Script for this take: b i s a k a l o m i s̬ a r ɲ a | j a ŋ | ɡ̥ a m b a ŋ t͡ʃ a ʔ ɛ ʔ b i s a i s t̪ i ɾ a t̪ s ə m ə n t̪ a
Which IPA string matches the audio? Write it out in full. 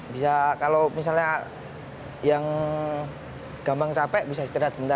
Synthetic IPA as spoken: b i s a k a l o m i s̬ a l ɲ a | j a ŋ | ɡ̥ a m b a ŋ t͡ʃ a p ɛ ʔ b i s a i s t̪ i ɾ a t̪ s ə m ə n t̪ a